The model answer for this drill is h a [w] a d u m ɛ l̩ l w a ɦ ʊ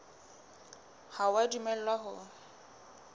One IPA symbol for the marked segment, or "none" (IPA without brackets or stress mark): w